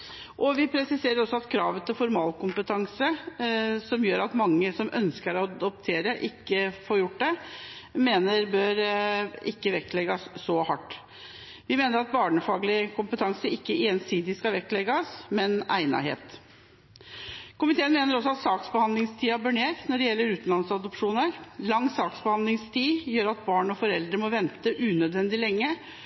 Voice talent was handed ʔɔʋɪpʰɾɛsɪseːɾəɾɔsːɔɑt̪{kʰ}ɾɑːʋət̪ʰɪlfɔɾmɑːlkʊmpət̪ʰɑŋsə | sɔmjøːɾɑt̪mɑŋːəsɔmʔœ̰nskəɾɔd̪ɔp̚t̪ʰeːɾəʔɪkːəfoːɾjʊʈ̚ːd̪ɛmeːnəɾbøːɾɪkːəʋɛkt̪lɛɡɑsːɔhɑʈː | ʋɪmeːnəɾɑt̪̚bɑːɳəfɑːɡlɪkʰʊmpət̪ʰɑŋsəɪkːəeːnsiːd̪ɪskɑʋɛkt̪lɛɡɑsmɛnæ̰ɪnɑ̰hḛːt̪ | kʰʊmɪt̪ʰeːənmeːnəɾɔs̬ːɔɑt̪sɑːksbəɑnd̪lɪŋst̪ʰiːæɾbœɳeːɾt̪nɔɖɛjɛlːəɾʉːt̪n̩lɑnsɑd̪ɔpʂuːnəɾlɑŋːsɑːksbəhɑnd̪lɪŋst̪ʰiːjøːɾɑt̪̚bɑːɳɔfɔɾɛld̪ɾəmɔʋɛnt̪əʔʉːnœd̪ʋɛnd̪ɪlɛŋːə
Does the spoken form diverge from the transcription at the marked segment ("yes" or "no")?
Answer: no